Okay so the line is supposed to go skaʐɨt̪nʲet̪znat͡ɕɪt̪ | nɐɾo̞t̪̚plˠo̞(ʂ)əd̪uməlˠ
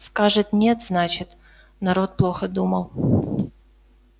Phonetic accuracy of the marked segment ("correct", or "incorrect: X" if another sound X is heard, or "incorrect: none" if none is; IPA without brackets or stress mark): incorrect: x